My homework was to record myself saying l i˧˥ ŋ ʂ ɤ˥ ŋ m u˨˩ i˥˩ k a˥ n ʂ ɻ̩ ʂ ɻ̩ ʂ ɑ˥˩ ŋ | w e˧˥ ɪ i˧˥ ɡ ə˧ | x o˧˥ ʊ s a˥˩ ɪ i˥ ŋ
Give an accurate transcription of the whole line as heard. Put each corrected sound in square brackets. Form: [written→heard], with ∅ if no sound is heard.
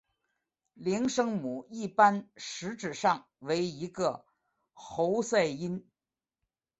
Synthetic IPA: l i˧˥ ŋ ʂ ɤ˥ ŋ m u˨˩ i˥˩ [k→p] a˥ n ʂ ɻ̩ [ʂ→ʈ͡ʂ] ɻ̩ ʂ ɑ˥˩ ŋ | w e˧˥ ɪ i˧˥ ɡ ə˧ | x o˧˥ ʊ s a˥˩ ɪ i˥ [ŋ→n]